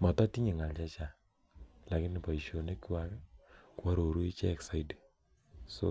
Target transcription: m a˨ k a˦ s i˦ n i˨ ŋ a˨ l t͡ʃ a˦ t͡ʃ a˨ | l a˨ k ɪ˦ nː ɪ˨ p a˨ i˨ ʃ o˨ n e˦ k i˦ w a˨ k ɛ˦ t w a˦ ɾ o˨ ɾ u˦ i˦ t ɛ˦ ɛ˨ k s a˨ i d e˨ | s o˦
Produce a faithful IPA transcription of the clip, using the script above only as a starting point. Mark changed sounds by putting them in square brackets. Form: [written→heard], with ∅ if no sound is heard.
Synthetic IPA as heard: m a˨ [k→t] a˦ [s→t] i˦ [n→ɲ] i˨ ŋ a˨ l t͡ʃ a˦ t͡ʃ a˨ | l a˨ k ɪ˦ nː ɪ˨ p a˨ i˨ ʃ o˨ n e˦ k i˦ w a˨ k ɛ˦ [t→k] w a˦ ɾ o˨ ɾ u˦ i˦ [t→t͡ʃ] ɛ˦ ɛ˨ k s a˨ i d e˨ | s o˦